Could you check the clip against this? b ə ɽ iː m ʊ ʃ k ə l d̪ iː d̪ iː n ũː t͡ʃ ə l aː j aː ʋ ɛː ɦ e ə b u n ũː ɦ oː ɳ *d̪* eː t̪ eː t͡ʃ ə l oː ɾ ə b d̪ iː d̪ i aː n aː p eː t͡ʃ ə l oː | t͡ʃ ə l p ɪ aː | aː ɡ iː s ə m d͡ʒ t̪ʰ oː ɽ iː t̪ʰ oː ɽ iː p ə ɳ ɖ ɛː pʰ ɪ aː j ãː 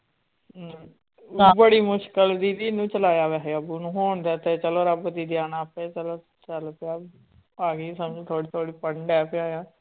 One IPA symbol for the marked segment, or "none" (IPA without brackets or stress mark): d̪